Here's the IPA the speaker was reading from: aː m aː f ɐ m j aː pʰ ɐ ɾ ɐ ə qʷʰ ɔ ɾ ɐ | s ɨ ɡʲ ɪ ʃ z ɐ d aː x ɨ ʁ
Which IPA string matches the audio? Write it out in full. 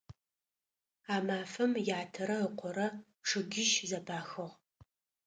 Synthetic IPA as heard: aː m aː f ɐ m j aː tʰ ɐ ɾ ɐ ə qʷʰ ɔ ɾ ɐ | ʂ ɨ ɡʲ ɪ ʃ z ɐ b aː x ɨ ʁ

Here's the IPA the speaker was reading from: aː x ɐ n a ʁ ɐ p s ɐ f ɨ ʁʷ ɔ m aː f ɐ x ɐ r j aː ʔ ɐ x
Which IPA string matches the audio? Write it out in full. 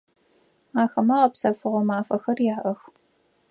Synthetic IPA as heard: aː x ɐ m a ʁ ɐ p s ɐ f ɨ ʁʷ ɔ m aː f ɐ x ɐ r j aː ʔ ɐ x

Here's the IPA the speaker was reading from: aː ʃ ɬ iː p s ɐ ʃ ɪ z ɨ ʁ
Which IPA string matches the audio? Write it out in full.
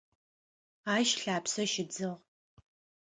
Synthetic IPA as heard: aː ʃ ɬ aː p s ɐ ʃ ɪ d͡z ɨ ʁ

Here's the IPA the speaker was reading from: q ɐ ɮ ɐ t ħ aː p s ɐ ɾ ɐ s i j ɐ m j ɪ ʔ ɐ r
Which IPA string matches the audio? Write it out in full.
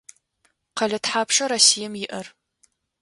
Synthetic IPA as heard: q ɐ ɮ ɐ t ħ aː p ʂ ɐ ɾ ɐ s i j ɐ m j ɪ ʔ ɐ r

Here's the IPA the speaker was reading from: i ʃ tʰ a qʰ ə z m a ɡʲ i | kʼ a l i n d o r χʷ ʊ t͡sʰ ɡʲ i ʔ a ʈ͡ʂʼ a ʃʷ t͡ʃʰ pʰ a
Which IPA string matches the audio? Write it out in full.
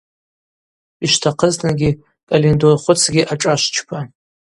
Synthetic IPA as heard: i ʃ tʰ a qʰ ə z n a ɡʲ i | kʼ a l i n d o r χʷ ʊ t͡sʰ ɡʲ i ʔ a ʈ͡ʂʼ a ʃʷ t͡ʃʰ pʰ a

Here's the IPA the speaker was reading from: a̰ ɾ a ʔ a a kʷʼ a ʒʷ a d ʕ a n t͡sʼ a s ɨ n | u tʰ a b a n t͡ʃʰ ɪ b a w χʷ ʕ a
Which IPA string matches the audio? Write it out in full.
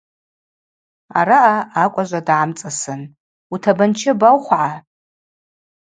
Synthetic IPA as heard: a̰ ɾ a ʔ a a kʷʼ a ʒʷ a d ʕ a m t͡sʼ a s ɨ n | u tʰ a b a n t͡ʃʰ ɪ b a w χʷ ʕ a

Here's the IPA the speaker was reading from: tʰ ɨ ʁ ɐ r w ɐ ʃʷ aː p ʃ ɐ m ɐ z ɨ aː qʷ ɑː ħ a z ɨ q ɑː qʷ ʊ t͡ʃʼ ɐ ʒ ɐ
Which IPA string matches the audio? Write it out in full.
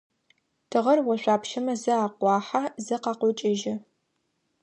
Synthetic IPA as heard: tʰ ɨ ʁ ɐ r w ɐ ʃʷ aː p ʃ ɐ m ɐ z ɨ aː qʷ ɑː ħ a z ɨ q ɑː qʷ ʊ t͡ʃʼ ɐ ʒ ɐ

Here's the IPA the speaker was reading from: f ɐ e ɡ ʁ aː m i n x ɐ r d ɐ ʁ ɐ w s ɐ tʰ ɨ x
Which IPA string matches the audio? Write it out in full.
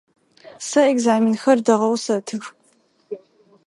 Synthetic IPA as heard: s ɐ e ɡ z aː m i n x ɐ r d ɐ ʁ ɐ w s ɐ tʰ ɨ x

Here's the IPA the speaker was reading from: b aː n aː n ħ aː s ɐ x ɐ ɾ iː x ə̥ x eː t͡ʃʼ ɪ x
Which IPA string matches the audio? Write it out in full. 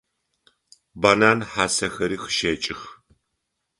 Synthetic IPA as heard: b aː n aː n ħ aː s ɐ x ɐ ɾ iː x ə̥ ʃ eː t͡ʃʼ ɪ x

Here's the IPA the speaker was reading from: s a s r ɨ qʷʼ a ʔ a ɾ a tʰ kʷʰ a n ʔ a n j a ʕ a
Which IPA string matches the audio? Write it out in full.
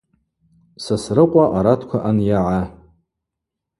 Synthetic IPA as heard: s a s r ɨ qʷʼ a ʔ a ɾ a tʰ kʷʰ a ʔ a n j a ʕ a

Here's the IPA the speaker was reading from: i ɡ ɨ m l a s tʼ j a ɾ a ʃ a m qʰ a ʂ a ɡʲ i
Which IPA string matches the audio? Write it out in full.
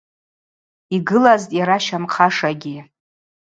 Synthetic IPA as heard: i ɡ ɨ l a z tʼ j a ɾ a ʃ a m qʰ a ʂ a ɡʲ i

